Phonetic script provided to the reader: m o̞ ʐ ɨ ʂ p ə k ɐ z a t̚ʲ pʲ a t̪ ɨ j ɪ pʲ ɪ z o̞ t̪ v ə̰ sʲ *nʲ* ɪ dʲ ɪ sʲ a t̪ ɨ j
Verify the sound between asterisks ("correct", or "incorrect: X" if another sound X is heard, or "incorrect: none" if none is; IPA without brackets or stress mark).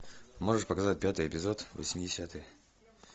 incorrect: mʲ